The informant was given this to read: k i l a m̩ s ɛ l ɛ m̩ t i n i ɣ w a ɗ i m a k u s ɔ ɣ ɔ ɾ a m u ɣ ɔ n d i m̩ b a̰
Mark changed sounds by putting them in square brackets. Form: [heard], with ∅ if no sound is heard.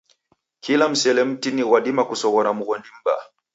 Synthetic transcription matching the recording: k i l a m̩ s ɛ l ɛ m̩ t i n i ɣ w a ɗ i m a k u s ɔ ɣ ɔ ɾ a m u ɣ ɔ n d i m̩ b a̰

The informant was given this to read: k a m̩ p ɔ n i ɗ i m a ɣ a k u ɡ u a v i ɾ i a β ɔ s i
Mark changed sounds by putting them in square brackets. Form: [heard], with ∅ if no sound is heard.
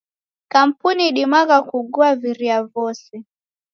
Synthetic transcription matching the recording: k a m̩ p [u] n i ɗ i m a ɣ a k u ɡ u a v i ɾ i a [v] ɔ s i

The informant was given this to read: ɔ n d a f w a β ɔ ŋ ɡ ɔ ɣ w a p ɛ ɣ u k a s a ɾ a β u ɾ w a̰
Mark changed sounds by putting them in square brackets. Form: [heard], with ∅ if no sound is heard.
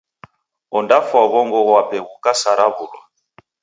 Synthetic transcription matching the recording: ɔ n d a f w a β ɔ ŋ ɡ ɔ ɣ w a p ɛ ɣ u k a s a ɾ a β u [l] w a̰

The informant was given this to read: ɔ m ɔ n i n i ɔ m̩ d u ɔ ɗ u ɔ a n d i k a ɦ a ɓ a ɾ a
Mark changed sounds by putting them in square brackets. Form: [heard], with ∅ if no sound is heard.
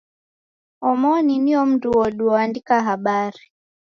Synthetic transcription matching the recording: ɔ m ɔ n i n i ɔ m̩ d u ɔ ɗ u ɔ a n d i k a ɦ a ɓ a ɾ [i]

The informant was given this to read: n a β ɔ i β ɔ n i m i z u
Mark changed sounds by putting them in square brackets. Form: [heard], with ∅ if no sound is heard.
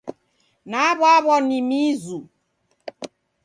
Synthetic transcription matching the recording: n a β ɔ [a] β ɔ n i m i z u

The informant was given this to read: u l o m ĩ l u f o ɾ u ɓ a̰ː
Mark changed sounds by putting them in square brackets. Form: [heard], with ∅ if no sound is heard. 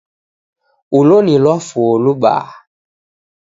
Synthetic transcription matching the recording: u l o [n] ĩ l [ɔ] f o [l] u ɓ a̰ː

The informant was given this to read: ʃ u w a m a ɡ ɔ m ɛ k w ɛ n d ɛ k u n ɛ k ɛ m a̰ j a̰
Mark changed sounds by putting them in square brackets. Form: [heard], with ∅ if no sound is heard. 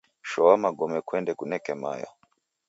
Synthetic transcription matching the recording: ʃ [ɔ] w a m a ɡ ɔ m ɛ k w ɛ n d ɛ k u n ɛ k ɛ m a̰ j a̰

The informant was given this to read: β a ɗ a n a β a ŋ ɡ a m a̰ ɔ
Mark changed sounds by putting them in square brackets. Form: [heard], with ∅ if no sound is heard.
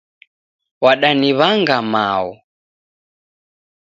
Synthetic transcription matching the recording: [w] a ɗ a n [i] β a ŋ ɡ a m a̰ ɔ

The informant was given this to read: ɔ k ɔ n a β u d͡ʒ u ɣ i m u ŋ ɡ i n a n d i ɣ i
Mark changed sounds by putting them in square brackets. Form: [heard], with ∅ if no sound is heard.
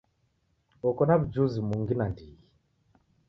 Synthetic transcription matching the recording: ɔ k ɔ n a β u d͡ʒ u [z] i m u ŋ ɡ i n a n d i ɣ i

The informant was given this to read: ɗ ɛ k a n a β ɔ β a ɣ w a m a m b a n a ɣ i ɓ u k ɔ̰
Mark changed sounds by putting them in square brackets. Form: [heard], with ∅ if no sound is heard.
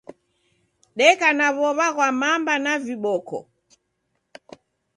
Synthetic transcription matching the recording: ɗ ɛ k a n a β ɔ β a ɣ w a m a m b a n a [v] i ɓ [ɔ] k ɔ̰

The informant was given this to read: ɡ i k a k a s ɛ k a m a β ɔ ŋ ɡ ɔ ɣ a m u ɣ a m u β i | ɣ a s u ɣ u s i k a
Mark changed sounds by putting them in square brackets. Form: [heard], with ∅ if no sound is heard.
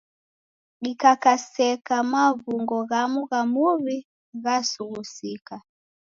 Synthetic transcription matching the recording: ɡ i k a k a s ɛ k a m a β [u] ŋ ɡ ɔ ɣ a m u ɣ a m u β i | ɣ a s u ɣ u s i k a

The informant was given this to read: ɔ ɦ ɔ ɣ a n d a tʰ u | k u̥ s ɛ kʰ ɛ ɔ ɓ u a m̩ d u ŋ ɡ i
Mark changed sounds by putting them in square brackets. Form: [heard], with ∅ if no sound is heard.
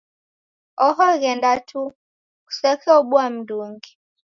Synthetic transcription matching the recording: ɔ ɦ ɔ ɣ [ɛ] n d a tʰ u | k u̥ s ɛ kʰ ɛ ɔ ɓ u a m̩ d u ŋ ɡ i

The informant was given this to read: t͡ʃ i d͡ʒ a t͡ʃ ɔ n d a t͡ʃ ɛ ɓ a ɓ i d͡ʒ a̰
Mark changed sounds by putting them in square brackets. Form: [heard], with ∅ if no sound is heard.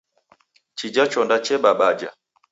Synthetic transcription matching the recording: t͡ʃ i d͡ʒ a t͡ʃ ɔ n d a t͡ʃ ɛ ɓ a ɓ [a] d͡ʒ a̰

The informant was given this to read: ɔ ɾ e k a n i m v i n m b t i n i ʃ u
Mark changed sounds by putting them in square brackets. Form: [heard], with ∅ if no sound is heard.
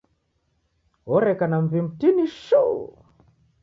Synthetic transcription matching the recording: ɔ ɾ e k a n [a] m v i [∅] m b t i n i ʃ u

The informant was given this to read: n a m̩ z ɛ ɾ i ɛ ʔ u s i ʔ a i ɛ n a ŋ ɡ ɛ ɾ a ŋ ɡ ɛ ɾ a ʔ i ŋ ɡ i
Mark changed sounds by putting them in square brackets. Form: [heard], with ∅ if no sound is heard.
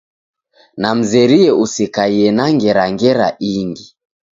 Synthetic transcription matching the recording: n a m̩ z ɛ ɾ i ɛ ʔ u s i [k] a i ɛ n a ŋ ɡ ɛ ɾ a ŋ ɡ ɛ ɾ a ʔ i ŋ ɡ i

